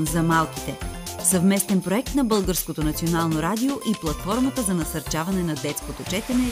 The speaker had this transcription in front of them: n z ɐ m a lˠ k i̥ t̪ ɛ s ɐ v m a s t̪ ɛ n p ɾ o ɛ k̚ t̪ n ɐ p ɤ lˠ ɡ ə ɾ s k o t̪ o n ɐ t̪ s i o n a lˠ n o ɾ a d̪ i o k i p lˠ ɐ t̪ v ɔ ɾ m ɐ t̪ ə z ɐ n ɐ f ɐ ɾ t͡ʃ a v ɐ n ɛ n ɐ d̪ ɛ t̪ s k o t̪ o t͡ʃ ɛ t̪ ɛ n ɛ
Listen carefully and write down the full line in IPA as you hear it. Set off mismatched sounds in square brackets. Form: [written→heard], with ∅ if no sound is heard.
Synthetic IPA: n z ɐ m a lˠ k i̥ t̪ ɛ s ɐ v m [a→ɛ] s t̪ ɛ n p ɾ o ɛ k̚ t̪ n ɐ [p→b] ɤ lˠ ɡ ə ɾ s k o t̪ o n ɐ t̪ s i o n a lˠ n o ɾ a d̪ i o [k→ʔ] i p lˠ ɐ t̪ [v→f] ɔ ɾ m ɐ t̪ ə z ɐ n ɐ [f→s] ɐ ɾ t͡ʃ a v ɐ n ɛ n ɐ d̪ ɛ t̪ s k o t̪ o t͡ʃ ɛ t̪ ɛ n ɛ